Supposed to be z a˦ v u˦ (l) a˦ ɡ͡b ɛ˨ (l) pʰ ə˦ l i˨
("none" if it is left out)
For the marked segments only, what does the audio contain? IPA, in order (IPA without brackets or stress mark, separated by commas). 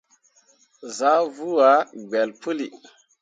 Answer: none, l